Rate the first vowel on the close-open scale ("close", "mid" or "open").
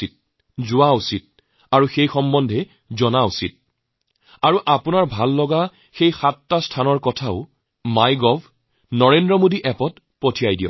close